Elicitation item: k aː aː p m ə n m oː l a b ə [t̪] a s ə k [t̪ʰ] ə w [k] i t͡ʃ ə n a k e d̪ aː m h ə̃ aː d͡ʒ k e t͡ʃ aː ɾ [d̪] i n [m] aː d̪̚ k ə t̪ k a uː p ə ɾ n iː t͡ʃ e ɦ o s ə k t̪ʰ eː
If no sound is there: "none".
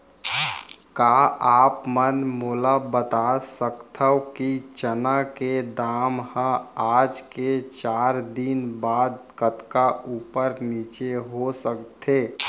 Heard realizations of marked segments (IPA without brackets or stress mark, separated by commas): t̪, t̪ʰ, k, d̪, b